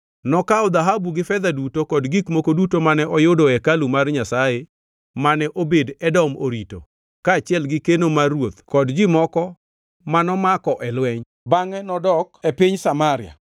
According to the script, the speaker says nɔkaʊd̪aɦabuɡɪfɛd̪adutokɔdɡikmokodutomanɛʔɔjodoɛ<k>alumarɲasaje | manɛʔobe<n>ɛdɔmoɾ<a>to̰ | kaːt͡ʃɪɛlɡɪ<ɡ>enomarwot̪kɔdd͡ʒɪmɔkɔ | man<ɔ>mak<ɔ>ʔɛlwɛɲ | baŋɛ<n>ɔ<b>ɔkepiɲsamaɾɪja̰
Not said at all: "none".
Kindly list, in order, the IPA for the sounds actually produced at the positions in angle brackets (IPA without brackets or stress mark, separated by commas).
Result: k, d, i, k, ɔ, ɔ, n, d